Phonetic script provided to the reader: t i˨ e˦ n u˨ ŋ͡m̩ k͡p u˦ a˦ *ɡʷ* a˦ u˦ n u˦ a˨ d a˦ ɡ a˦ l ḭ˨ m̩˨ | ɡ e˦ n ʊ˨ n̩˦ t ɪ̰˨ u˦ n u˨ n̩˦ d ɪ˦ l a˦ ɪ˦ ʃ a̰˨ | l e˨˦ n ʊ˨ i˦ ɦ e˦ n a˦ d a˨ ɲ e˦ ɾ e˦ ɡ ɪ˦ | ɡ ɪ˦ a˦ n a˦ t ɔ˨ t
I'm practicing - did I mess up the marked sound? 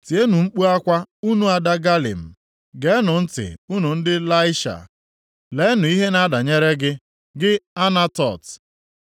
yes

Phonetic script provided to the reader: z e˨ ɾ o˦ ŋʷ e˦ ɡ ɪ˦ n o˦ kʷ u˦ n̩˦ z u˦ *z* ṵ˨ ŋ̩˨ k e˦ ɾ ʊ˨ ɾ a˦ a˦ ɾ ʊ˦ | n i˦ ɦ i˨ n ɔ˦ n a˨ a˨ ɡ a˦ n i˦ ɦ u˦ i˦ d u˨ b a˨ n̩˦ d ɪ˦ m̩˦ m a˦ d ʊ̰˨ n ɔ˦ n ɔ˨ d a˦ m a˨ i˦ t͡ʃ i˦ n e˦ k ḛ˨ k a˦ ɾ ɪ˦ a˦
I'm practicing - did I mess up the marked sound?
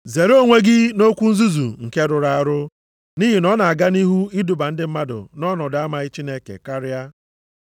no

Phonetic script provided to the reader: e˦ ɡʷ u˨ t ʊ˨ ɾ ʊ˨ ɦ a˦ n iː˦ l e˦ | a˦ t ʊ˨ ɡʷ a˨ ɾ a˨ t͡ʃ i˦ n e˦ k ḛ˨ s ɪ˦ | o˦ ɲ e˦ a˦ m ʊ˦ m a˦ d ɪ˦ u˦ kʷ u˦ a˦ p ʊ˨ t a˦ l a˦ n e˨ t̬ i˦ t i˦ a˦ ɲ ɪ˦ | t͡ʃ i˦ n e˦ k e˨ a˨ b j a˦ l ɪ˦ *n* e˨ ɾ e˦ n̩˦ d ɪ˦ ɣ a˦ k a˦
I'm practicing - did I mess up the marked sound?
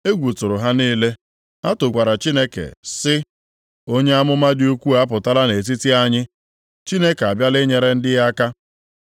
yes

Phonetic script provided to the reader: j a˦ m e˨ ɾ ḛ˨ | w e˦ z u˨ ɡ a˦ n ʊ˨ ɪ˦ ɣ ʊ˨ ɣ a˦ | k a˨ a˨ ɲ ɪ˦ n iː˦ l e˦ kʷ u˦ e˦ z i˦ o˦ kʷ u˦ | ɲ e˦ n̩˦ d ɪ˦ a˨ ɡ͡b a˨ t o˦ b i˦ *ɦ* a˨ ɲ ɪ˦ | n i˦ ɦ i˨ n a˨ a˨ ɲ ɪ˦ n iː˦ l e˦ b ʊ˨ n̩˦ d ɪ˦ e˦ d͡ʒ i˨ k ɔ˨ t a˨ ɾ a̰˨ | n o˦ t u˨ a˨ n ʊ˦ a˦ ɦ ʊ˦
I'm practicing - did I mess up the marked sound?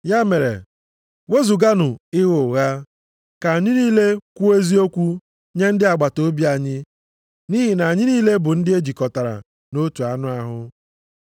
yes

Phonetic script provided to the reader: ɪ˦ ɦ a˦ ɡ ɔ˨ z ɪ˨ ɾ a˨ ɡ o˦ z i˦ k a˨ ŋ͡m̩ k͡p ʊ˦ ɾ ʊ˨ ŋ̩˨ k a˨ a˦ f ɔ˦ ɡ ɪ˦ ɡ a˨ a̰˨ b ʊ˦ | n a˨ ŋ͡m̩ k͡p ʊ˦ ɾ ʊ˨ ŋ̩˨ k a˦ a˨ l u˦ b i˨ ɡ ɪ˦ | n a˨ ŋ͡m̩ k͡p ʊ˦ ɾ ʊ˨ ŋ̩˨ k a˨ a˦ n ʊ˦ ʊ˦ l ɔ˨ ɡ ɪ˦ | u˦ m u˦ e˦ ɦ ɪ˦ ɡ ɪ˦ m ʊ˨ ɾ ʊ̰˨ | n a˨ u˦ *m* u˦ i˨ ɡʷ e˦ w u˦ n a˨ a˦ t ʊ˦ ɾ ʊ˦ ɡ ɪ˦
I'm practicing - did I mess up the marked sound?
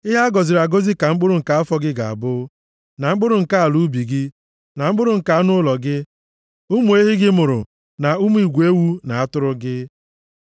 no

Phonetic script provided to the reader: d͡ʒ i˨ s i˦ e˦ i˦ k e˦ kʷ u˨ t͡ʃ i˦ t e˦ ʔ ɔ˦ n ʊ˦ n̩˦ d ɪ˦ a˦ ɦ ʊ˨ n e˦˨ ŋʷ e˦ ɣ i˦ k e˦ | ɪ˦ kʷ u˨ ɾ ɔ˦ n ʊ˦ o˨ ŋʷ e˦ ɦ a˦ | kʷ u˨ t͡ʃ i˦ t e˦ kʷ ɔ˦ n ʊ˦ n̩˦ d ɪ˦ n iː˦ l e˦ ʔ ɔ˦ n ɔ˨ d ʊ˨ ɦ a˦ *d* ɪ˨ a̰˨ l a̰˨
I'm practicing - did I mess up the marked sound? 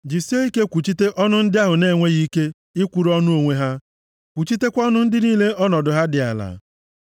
no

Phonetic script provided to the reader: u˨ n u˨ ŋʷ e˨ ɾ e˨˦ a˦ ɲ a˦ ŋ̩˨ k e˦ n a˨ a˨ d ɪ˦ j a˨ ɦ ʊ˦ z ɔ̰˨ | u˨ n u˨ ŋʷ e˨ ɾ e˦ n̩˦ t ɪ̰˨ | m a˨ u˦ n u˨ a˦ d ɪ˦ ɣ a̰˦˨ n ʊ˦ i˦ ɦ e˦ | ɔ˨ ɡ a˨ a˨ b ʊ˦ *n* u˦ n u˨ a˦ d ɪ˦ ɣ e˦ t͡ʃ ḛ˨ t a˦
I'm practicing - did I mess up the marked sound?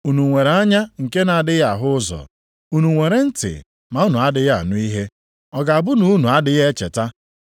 no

